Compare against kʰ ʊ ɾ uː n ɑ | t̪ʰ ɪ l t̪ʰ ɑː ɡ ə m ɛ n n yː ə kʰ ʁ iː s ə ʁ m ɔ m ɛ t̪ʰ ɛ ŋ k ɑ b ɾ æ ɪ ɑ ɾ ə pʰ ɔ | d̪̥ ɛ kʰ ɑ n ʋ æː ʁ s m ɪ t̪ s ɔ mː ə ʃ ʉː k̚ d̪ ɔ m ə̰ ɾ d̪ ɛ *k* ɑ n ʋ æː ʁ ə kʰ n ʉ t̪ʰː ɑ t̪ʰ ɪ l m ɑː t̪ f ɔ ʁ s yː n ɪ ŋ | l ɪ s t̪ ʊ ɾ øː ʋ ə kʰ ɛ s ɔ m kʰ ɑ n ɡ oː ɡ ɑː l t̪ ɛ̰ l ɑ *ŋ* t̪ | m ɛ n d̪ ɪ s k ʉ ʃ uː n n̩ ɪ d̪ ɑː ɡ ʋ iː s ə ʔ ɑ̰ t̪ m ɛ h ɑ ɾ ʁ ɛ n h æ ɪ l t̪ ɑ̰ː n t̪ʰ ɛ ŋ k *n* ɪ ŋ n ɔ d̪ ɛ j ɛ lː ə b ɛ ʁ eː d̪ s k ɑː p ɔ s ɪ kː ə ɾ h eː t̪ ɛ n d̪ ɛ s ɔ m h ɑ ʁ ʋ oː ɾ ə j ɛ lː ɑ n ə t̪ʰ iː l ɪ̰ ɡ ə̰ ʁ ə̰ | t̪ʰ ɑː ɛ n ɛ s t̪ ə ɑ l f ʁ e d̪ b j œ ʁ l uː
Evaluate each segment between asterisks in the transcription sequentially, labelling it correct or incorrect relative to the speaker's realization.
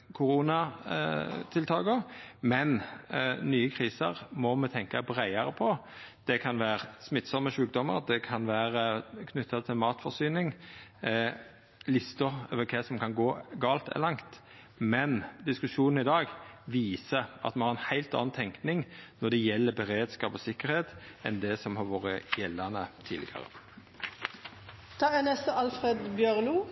incorrect: kʰ, correct, correct

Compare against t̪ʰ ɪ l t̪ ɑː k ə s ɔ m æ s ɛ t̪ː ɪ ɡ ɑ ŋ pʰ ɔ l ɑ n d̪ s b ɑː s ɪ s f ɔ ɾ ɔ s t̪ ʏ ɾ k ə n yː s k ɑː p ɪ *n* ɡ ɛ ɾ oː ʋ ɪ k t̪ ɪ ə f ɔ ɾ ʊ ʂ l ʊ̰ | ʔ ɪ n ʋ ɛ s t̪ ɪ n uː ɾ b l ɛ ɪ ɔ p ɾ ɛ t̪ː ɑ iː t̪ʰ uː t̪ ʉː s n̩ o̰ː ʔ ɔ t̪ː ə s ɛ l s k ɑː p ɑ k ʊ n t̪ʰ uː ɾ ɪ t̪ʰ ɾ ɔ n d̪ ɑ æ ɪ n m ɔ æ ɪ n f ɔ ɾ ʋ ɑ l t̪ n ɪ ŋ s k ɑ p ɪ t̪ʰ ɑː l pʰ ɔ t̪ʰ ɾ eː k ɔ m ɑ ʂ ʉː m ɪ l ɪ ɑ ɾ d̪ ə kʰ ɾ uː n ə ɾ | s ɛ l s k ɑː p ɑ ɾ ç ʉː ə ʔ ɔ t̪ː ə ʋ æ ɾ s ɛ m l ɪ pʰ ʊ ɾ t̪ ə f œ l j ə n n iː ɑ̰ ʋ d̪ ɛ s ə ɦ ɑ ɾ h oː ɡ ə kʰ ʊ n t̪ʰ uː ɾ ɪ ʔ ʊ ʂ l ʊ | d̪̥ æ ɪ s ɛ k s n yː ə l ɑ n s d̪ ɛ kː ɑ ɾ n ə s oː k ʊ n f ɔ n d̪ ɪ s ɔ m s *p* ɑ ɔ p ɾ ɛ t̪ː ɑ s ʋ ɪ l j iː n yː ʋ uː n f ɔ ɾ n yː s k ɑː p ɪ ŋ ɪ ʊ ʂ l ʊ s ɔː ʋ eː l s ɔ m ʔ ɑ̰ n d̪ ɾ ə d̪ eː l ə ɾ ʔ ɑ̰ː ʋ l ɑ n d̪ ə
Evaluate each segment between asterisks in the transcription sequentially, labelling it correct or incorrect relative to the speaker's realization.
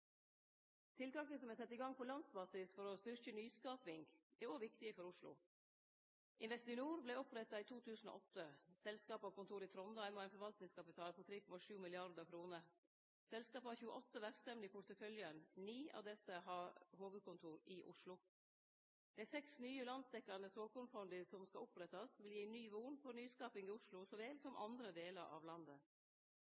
incorrect: ŋ, incorrect: k

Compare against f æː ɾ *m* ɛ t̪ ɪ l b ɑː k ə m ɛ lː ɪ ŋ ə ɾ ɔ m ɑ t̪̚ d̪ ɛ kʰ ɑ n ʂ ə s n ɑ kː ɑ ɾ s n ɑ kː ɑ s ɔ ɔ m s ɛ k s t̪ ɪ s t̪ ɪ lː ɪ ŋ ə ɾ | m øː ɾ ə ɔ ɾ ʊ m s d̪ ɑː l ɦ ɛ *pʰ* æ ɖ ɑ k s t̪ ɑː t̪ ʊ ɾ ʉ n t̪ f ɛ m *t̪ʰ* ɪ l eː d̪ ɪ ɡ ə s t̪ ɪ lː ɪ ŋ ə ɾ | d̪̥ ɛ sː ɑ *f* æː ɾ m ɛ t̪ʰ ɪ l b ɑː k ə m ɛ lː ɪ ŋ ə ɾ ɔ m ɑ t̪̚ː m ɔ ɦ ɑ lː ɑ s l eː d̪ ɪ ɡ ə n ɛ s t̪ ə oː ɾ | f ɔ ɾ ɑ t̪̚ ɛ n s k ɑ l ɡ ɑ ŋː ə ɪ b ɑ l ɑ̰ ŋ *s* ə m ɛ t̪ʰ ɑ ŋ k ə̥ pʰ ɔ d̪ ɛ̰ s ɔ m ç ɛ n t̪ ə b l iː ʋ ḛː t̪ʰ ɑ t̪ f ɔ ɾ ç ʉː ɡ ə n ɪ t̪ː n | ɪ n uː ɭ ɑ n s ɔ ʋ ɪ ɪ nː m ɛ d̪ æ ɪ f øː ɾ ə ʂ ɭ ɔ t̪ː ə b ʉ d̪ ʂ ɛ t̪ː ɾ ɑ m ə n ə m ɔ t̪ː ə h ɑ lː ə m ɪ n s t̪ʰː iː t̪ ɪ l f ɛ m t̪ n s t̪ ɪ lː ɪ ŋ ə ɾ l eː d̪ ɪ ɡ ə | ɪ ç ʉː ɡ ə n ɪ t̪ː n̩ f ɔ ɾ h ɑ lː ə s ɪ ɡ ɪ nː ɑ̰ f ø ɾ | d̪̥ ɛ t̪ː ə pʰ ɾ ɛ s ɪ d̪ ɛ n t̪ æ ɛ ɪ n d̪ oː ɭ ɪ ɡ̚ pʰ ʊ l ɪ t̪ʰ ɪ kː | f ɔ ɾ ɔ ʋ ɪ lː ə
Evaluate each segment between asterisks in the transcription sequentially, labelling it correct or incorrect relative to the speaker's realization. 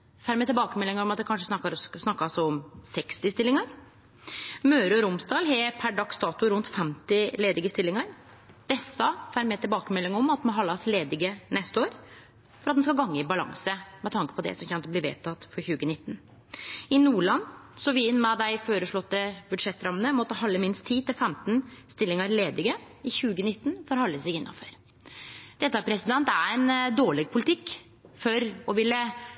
correct, correct, incorrect: t̪, correct, correct

